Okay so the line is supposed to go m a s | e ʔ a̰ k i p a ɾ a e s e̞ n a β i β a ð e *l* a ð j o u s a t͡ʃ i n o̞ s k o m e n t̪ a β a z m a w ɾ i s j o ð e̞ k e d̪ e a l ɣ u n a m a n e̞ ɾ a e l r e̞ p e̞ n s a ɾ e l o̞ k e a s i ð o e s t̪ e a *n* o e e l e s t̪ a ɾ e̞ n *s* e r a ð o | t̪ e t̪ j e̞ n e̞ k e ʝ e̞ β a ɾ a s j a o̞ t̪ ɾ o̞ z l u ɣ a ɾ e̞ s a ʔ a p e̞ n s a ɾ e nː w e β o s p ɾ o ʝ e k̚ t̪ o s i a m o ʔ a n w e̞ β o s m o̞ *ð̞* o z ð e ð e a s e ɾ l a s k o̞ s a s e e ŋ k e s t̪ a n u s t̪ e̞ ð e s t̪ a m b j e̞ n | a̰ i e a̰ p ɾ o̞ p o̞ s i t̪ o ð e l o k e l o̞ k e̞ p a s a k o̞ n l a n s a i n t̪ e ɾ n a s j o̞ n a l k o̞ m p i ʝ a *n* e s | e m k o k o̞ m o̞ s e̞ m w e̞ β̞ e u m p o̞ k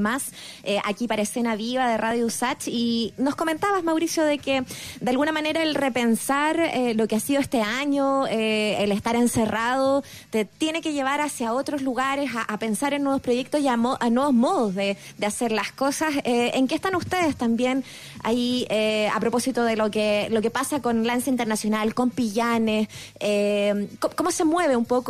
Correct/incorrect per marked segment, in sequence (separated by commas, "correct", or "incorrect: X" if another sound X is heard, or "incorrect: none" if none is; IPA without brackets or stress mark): incorrect: r, incorrect: ɲ, correct, correct, correct